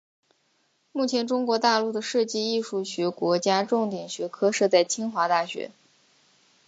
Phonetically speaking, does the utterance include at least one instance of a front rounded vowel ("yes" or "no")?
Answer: no